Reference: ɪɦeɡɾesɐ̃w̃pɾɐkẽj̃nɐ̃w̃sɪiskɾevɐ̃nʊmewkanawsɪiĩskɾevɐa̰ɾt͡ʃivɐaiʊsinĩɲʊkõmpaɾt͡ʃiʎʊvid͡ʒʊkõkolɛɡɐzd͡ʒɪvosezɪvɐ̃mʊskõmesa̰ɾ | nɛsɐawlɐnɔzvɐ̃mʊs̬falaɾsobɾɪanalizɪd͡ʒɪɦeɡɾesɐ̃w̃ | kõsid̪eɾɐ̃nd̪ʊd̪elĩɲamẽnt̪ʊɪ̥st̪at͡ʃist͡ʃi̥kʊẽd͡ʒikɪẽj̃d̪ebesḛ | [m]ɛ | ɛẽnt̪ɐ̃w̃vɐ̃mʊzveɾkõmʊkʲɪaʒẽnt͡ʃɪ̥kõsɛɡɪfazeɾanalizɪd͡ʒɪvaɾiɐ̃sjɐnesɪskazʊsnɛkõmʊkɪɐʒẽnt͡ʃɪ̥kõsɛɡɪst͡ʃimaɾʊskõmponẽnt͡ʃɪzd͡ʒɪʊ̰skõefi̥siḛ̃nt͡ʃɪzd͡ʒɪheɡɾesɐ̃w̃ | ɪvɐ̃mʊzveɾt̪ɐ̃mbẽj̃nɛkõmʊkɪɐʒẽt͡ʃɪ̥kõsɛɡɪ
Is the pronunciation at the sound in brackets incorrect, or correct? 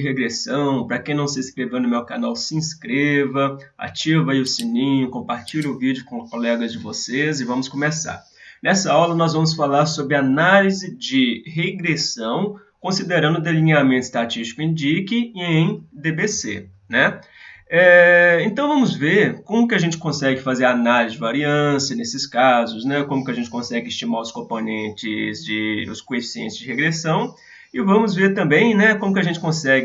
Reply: incorrect